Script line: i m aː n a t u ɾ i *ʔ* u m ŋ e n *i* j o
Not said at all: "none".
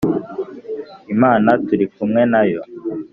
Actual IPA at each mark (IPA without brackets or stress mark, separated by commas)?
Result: k, a